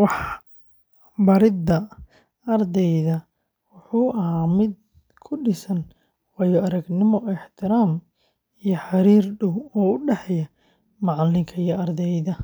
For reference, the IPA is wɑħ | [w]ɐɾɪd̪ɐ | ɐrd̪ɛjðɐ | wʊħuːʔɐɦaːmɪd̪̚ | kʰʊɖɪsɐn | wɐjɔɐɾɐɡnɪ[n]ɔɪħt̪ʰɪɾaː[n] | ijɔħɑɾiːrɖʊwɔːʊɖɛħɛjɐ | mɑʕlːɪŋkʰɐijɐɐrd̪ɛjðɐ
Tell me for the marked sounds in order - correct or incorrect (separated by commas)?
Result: incorrect, incorrect, incorrect